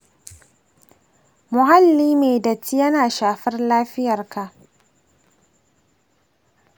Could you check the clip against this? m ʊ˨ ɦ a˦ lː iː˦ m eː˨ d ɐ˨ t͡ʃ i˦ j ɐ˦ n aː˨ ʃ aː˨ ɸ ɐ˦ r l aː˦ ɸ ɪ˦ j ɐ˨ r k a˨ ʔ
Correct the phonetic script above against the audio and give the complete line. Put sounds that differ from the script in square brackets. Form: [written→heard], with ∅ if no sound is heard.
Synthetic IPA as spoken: m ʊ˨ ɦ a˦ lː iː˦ m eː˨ d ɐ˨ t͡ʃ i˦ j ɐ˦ n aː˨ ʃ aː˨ ɸ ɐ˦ r l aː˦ ɸ ɪ˦ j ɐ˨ r k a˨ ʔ